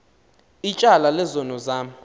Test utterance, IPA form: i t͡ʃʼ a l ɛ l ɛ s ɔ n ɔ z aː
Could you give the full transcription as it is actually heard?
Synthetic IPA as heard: i t͡ʃʼ a l a l ɛ z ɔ n ɔ z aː